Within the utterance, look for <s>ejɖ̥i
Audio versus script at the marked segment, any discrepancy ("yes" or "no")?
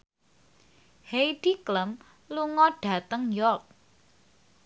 yes